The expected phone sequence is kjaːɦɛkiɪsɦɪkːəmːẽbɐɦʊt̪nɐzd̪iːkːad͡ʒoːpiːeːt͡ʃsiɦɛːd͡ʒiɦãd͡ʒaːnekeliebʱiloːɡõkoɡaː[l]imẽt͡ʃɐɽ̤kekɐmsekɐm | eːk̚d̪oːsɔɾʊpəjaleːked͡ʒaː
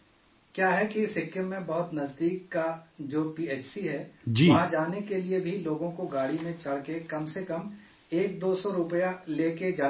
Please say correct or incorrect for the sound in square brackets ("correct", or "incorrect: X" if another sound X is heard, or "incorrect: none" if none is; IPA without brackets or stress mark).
incorrect: ɽ